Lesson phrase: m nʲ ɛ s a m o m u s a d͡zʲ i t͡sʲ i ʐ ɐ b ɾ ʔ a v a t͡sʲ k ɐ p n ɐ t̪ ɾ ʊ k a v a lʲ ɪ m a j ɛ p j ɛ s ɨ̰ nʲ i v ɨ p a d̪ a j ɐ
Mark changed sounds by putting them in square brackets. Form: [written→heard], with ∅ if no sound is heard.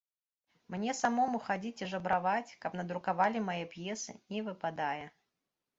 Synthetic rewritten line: m nʲ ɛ s a m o m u [s→x] a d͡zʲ i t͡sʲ i ʐ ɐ b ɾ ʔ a v a t͡sʲ k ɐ p n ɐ [t̪→d̪] ɾ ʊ k a v a lʲ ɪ m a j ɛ p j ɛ s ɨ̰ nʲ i v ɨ p a d̪ a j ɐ

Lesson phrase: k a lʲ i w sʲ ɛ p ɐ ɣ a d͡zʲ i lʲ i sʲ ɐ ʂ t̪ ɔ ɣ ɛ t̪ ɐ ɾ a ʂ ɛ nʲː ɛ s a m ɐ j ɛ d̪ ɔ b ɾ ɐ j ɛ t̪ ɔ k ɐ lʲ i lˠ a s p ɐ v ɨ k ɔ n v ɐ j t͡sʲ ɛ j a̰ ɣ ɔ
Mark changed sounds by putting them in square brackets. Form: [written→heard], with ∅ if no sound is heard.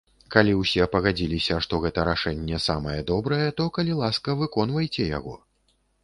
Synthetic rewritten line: k a lʲ i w sʲ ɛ p ɐ ɣ a d͡zʲ i lʲ i sʲ ɐ ʂ t̪ ɔ ɣ ɛ t̪ ɐ ɾ a ʂ ɛ nʲː ɛ s a m ɐ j ɛ d̪ ɔ b ɾ ɐ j ɛ t̪ ɔ k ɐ lʲ i lˠ a s [p→k] ɐ v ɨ k ɔ n v ɐ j t͡sʲ ɛ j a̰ ɣ ɔ

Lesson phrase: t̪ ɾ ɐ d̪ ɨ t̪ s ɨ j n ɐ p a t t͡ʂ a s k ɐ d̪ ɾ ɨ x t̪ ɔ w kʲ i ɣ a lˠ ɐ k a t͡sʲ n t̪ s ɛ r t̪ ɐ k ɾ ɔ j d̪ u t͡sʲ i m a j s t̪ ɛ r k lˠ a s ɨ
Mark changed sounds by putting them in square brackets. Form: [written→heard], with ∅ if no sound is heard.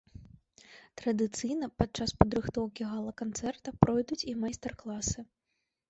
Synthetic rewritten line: t̪ ɾ ɐ d̪ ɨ t̪ s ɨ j n ɐ p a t t͡ʂ a s [k→p] ɐ d̪ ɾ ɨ x t̪ ɔ w kʲ i ɣ a lˠ ɐ k a [t͡sʲ→∅] n t̪ s ɛ r t̪ ɐ [k→p] ɾ ɔ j d̪ u t͡sʲ i m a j s t̪ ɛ r k lˠ a s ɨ

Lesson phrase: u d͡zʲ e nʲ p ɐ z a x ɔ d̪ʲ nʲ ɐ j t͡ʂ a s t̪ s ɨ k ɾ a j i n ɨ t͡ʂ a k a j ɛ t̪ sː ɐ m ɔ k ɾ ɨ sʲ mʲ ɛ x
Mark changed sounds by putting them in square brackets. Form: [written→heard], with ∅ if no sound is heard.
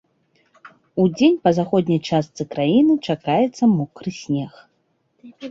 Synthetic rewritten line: u d͡zʲ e nʲ p ɐ z a x ɔ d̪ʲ nʲ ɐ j t͡ʂ a s t̪ s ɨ k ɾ a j i n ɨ t͡ʂ a k a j ɛ t̪ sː ɐ m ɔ k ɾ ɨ sʲ [mʲ→nʲ] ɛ x

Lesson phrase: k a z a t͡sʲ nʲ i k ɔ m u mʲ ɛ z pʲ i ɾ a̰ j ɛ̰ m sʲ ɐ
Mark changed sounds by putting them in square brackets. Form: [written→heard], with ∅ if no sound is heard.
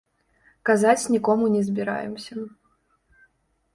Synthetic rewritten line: k a z a t͡sʲ nʲ i k ɔ m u [mʲ→nʲ] ɛ z [pʲ→bʲ] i ɾ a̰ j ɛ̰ m sʲ ɐ

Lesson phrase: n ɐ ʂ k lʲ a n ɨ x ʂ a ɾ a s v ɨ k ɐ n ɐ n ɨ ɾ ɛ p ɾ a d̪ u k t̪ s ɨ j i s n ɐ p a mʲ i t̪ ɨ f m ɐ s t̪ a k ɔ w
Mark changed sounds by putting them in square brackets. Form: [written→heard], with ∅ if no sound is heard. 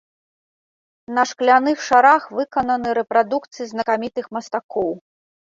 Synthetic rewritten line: n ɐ ʂ k lʲ a n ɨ x ʂ a ɾ a [s→x] v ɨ k ɐ n ɐ n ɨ ɾ ɛ p ɾ a d̪ u k t̪ s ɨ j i [s→z] n ɐ [p→k] a mʲ i t̪ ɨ [f→x] m ɐ s t̪ a k ɔ w

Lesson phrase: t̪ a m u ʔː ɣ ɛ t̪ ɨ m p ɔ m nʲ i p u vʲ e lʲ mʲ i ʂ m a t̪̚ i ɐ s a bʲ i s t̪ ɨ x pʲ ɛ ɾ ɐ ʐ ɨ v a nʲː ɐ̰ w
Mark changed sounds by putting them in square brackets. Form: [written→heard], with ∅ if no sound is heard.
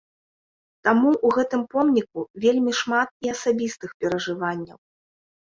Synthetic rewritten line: t̪ a m u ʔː ɣ ɛ t̪ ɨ m p ɔ m nʲ i [p→k] u vʲ e lʲ mʲ i ʂ m a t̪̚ i ɐ s a bʲ i s t̪ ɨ x pʲ ɛ ɾ ɐ ʐ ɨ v a nʲː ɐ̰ w

